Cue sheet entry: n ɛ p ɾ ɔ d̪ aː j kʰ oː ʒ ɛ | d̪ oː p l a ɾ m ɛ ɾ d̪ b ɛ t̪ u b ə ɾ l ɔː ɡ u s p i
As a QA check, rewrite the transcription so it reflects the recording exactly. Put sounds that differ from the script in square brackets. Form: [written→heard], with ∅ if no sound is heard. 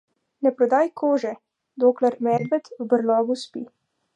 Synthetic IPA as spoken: n ɛ p ɾ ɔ d̪ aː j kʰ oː ʒ ɛ | d̪ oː [p→k] l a ɾ m ɛ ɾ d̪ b ɛ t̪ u b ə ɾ l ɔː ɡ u s p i